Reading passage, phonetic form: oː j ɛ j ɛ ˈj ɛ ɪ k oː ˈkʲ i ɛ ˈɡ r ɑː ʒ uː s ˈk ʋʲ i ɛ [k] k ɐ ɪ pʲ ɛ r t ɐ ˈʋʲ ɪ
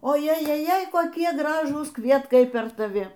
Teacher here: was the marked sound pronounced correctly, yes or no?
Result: no